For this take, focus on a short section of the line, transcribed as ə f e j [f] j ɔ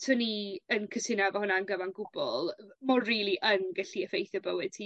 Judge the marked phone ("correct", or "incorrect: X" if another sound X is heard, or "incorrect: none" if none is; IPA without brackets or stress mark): incorrect: θ